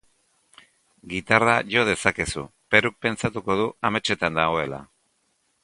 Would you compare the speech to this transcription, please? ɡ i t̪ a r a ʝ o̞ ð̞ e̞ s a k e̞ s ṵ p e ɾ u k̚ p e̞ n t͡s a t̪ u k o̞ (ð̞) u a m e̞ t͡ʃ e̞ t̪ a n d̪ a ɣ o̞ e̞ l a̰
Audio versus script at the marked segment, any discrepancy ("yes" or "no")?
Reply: no